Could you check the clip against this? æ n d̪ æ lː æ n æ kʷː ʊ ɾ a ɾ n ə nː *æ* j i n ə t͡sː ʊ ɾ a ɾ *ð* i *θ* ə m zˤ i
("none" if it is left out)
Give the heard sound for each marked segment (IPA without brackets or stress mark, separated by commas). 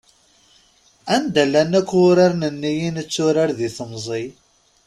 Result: i, ð, θ